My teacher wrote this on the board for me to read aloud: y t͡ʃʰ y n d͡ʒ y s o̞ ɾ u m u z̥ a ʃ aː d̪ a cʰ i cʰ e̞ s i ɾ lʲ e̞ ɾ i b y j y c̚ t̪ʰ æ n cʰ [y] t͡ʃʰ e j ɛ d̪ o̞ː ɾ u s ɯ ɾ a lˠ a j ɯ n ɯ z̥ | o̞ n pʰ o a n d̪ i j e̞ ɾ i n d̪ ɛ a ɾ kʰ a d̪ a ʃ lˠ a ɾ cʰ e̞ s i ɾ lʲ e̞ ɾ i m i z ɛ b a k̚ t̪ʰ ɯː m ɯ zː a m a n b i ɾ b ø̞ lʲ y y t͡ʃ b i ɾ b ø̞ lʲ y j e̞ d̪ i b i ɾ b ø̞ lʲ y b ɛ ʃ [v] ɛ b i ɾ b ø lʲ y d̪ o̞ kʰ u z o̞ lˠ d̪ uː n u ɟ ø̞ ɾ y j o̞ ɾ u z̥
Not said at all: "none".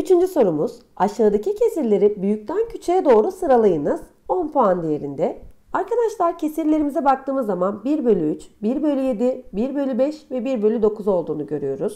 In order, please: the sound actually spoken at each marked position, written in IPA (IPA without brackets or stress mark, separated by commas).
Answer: y, v